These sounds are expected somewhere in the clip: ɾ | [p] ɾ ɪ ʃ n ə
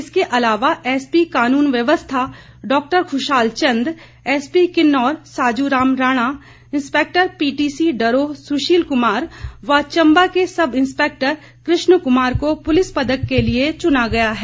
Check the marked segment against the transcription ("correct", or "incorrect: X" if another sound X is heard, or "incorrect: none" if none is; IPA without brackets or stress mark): incorrect: k